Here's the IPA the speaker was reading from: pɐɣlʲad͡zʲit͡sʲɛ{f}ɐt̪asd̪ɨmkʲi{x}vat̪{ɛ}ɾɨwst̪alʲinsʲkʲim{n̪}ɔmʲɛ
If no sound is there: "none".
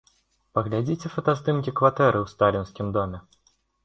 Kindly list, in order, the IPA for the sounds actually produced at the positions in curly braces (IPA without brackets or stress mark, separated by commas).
f, k, ɛ, d̪